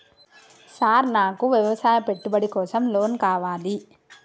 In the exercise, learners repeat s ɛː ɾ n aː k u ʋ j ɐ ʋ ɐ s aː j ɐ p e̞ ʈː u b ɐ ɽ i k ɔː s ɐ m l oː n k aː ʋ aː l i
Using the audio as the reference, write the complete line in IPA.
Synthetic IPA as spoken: s aː ɾ n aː k u ʋ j ɐ ʋ ɐ s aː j ɐ p e̞ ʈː u b ɐ ɽ i k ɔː s ɐ m l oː n k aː ʋ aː l i